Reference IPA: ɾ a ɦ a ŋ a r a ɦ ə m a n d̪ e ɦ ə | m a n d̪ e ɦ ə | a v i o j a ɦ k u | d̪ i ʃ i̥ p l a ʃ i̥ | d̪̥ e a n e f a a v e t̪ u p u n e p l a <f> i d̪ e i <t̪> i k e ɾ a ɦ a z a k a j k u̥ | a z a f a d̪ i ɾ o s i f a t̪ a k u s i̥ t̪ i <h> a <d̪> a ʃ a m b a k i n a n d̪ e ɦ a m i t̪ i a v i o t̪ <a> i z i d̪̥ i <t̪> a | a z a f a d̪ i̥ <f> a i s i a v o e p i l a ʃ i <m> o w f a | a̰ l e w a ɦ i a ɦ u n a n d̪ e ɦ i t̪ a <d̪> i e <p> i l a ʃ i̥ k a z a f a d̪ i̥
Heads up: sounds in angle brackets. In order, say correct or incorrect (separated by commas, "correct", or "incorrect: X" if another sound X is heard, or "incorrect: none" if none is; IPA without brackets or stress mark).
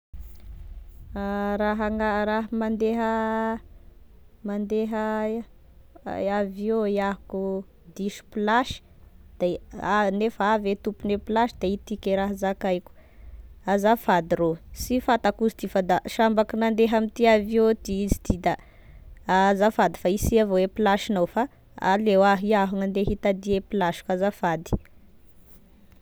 incorrect: ʃ, correct, incorrect: f, correct, incorrect: i, incorrect: d̪, correct, incorrect: n, correct, correct